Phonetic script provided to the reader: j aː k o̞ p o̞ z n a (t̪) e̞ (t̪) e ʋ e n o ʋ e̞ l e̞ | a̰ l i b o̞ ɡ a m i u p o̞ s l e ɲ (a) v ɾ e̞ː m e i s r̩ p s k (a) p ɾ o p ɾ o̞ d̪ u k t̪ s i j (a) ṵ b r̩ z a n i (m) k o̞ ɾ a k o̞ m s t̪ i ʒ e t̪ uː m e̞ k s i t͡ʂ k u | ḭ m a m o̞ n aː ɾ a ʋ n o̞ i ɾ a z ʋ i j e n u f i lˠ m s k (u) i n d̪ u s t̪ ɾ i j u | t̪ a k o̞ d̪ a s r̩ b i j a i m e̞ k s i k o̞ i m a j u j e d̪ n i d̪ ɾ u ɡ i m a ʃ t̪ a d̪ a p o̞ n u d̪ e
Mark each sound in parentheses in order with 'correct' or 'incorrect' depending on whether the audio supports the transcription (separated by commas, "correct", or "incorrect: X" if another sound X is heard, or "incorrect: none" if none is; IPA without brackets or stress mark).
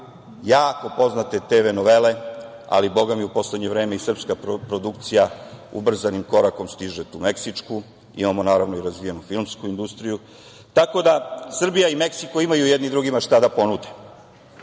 correct, correct, incorrect: e, correct, correct, correct, correct